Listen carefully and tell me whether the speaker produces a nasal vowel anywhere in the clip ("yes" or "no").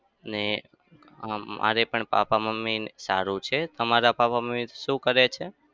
yes